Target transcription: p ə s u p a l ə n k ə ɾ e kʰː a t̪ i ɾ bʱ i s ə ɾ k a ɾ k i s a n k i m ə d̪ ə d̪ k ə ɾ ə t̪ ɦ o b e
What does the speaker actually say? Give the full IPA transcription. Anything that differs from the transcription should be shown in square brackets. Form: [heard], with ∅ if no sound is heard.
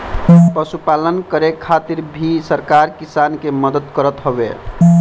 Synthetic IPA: p ə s u p a l ə n k ə ɾ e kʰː a t̪ i ɾ bʱ i s ə ɾ k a ɾ k i s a n k [e] m ə d̪ ə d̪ k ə ɾ ə t̪ ɦ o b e